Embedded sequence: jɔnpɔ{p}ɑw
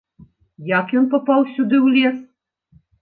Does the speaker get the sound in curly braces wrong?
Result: no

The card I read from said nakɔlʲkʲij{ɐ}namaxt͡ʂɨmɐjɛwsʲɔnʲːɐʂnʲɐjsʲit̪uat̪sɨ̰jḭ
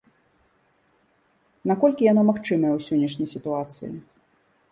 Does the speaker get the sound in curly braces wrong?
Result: yes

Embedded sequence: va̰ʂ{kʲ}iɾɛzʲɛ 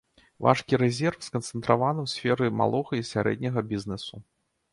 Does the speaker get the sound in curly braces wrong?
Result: no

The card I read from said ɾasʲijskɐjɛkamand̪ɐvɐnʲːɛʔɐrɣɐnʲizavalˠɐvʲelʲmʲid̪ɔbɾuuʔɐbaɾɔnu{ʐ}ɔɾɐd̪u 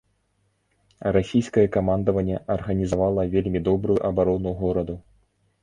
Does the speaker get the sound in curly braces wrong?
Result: yes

